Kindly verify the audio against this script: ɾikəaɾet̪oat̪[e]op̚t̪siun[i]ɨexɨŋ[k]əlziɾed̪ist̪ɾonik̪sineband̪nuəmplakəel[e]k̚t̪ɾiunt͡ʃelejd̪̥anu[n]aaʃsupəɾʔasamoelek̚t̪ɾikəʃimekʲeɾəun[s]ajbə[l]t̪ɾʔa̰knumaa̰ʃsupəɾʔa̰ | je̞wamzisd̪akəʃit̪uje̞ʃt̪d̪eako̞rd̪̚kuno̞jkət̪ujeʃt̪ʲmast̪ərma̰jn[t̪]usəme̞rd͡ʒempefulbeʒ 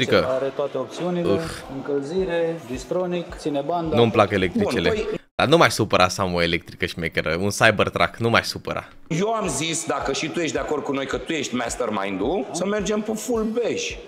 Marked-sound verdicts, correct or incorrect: correct, correct, correct, correct, incorrect, correct, incorrect, incorrect

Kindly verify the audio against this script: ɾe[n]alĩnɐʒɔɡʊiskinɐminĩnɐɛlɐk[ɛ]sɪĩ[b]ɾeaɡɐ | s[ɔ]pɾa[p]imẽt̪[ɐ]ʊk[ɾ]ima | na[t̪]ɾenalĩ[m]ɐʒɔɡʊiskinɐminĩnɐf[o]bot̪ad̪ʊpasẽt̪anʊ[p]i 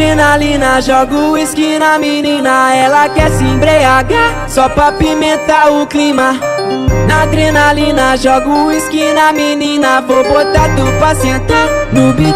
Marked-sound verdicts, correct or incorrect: correct, correct, correct, correct, correct, incorrect, incorrect, incorrect, incorrect, correct, incorrect

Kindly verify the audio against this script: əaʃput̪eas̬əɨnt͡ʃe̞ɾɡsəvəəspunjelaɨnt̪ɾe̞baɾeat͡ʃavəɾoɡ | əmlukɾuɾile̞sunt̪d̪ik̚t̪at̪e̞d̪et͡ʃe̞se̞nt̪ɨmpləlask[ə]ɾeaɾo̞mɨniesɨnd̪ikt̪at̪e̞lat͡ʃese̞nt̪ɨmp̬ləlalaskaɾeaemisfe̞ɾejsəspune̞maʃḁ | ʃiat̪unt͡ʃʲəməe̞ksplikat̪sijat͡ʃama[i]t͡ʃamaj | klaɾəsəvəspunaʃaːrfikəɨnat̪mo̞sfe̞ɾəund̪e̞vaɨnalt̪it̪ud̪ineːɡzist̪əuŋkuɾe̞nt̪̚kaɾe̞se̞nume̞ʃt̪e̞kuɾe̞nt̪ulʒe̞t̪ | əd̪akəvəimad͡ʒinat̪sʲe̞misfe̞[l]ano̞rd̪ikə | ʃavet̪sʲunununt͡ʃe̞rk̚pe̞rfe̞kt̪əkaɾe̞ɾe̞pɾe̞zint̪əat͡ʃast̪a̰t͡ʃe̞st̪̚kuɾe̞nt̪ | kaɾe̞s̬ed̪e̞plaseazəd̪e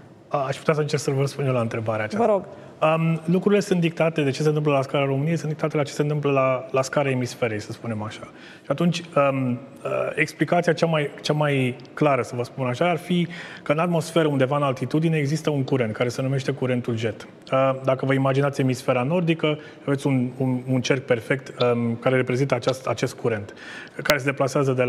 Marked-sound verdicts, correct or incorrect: incorrect, incorrect, incorrect

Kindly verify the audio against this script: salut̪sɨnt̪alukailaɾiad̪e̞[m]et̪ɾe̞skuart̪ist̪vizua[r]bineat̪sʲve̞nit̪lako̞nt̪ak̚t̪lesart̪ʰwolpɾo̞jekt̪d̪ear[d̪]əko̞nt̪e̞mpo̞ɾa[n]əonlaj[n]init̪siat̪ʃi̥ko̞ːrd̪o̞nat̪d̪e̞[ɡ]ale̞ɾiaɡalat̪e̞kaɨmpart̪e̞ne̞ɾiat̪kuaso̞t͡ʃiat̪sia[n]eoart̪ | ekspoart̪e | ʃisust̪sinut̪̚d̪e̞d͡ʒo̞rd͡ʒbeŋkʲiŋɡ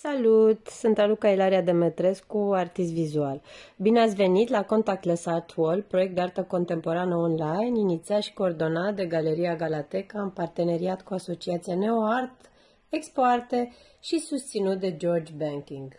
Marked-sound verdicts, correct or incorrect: correct, incorrect, incorrect, correct, correct, correct, correct

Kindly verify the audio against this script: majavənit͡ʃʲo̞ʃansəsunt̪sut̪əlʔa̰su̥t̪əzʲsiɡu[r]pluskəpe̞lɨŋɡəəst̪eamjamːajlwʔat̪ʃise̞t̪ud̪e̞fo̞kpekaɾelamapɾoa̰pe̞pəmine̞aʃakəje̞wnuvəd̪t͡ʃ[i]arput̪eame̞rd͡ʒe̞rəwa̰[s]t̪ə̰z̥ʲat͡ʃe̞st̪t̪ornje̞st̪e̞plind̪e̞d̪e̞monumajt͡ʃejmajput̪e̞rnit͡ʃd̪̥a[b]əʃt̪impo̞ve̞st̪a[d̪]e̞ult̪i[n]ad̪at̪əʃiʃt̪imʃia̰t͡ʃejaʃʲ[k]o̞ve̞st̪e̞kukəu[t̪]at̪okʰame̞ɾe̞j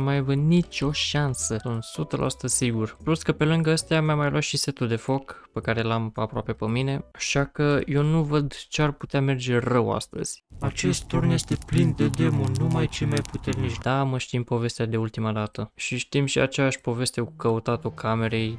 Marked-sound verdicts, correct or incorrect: correct, incorrect, correct, incorrect, correct, incorrect, incorrect, correct

